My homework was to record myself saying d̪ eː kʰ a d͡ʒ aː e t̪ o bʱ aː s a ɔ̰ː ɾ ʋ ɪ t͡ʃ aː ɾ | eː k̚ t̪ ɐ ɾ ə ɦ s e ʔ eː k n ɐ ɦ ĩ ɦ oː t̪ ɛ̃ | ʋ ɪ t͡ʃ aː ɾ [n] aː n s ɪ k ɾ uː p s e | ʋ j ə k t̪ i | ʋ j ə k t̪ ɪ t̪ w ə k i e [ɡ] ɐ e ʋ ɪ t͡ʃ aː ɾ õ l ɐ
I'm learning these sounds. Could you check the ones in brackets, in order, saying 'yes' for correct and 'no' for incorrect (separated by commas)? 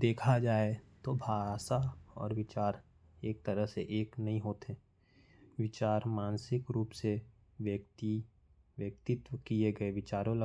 no, yes